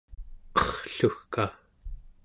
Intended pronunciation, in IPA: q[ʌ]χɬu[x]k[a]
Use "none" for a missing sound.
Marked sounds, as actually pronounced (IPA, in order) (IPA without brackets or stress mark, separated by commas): ʌ, x, a